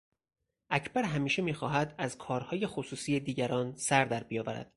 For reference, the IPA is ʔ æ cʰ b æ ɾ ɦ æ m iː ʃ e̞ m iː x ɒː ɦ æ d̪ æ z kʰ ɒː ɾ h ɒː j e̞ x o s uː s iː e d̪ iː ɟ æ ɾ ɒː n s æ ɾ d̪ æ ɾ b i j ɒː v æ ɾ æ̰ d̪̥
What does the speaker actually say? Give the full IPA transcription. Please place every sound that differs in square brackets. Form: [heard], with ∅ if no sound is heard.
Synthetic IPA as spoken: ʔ æ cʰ b æ ɾ ɦ æ m iː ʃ e̞ m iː x ɒː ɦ æ d̪ æ z kʰ ɒː ɾ h ɒː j e̞ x o s uː s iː e d̪ iː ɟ æ ɾ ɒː n s æ ɾ d̪ æ ɾ b i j ɒː v æ ɾ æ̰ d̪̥